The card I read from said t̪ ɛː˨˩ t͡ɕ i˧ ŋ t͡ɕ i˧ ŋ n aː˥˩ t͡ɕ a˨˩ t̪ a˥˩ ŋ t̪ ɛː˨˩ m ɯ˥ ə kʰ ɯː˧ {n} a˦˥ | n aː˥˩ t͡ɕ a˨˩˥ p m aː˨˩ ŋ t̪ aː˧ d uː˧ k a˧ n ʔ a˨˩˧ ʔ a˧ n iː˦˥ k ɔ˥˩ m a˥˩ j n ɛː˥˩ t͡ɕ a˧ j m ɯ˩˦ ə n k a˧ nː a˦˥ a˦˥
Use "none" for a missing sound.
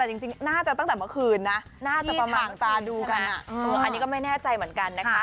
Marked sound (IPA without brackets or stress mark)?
nː